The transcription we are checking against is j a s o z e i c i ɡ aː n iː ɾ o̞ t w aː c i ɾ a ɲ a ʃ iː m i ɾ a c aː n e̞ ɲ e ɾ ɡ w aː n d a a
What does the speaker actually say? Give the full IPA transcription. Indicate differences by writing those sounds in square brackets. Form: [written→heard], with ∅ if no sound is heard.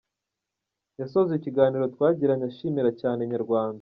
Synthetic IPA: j a s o z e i c i ɡ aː n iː ɾ o̞ t w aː [c→ɟ] i ɾ a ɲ a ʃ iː m i ɾ a c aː n e̞ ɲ [e→a] ɾ ɡ w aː n d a a